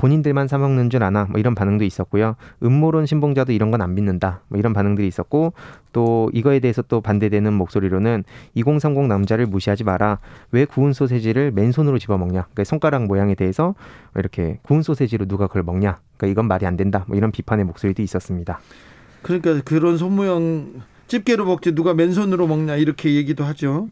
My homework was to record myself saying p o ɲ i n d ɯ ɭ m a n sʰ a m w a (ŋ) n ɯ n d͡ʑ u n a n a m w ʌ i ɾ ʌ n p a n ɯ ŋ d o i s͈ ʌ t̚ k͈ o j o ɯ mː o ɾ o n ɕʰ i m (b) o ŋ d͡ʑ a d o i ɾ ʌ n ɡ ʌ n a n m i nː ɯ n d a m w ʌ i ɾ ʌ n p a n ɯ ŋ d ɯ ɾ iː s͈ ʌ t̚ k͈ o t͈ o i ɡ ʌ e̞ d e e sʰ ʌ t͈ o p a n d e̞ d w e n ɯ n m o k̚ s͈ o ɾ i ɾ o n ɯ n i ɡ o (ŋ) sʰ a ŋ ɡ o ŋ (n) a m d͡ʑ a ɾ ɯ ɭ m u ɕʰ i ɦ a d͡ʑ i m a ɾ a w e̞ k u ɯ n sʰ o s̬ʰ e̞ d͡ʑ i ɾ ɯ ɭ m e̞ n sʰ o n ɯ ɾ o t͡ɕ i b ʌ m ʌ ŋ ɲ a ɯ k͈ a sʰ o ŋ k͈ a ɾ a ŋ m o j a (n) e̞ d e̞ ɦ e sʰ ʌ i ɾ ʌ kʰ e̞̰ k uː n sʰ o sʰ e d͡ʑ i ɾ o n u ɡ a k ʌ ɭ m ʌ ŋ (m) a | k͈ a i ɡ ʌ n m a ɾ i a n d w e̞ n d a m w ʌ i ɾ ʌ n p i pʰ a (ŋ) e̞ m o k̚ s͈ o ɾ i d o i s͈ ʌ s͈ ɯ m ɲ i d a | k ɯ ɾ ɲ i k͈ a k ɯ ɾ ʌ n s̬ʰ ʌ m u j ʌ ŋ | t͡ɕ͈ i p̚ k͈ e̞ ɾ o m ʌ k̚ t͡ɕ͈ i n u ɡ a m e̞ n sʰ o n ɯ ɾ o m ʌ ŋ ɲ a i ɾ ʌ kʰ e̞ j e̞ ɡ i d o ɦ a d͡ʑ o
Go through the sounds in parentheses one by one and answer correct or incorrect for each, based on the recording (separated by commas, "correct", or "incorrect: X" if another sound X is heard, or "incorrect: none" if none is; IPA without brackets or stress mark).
correct, correct, correct, correct, incorrect: ŋ, incorrect: ɲ, incorrect: n